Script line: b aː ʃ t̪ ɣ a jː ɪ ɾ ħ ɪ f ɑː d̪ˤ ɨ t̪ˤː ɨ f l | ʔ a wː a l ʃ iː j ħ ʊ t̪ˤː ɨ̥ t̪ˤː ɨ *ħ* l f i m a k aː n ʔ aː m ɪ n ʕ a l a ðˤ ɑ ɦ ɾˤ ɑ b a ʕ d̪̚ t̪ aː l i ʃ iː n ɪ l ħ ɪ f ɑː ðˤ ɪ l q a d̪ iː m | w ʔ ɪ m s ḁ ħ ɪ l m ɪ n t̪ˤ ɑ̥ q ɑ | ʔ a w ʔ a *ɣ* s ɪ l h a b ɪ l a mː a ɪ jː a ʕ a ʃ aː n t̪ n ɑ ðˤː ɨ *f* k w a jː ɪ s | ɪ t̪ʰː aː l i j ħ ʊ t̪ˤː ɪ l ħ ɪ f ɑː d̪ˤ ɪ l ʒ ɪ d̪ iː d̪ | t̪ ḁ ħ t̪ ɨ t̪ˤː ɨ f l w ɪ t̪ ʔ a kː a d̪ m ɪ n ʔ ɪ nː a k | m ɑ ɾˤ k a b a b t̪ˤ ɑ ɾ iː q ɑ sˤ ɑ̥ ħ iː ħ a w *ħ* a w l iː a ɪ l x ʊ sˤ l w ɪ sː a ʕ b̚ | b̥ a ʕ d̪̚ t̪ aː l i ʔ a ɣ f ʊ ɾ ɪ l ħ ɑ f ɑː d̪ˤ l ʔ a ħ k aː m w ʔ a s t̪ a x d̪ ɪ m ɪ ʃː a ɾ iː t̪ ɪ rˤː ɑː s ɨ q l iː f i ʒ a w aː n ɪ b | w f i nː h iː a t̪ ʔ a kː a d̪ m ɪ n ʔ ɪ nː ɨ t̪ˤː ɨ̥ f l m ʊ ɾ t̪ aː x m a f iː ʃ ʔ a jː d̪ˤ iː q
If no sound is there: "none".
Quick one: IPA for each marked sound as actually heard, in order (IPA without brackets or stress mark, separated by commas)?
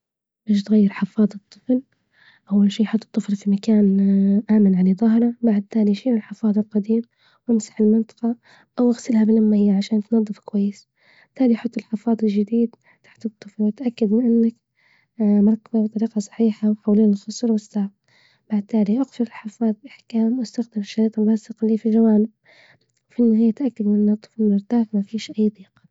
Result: f, ɣ, f, ħ